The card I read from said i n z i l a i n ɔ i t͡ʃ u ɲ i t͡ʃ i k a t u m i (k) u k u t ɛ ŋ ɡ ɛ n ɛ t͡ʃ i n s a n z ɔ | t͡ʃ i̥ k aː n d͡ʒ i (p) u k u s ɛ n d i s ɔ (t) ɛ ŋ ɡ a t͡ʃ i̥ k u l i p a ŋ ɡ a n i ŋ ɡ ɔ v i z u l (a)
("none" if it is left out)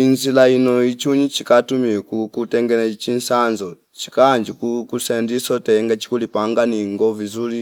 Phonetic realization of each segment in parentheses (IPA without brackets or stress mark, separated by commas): k, k, t, i